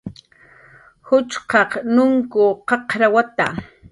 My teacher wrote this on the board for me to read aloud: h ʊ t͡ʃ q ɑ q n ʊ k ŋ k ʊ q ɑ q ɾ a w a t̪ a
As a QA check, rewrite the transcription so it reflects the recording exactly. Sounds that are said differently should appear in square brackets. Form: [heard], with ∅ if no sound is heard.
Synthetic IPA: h ʊ t͡ʃ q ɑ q n ʊ [∅] ŋ k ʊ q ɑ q ɾ a w a t̪ a